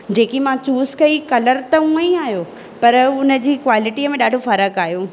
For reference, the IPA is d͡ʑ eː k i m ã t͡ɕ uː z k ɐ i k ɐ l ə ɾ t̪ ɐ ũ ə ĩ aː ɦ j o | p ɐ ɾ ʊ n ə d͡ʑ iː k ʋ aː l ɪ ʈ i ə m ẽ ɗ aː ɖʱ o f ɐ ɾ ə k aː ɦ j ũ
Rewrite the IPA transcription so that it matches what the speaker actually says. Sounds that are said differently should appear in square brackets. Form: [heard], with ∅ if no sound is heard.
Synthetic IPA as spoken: d͡ʑ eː k i m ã t͡ɕ uː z k ɐ i k ɐ l ə ɾ t̪ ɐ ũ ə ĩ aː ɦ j o | p ɐ ɾ ʊ n ə d͡ʑ iː k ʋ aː l ɪ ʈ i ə m ẽ ɗ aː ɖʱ o f ɐ ɾ ə k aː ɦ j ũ